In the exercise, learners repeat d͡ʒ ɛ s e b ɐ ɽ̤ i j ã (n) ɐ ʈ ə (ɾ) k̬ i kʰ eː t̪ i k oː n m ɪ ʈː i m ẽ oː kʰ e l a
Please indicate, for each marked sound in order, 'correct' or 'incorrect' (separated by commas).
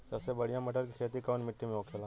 incorrect, correct